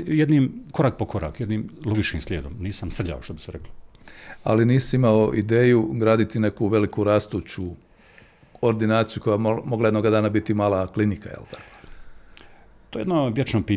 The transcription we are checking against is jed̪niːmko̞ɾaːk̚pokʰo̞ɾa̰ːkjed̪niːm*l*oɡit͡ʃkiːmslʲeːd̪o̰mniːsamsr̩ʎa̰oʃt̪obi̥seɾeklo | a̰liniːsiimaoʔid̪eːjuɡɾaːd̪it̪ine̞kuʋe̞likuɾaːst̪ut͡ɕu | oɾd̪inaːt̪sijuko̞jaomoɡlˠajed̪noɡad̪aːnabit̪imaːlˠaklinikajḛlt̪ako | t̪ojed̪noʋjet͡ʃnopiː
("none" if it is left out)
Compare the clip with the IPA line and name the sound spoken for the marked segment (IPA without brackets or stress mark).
l